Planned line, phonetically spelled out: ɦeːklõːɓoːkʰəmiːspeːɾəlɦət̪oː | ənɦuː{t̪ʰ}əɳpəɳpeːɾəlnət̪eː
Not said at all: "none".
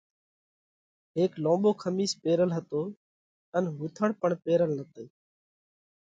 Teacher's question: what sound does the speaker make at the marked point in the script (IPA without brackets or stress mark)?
t̪ʰ